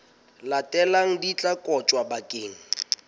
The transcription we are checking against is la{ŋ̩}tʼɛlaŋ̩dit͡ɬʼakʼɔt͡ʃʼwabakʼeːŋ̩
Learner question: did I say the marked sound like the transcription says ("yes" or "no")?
no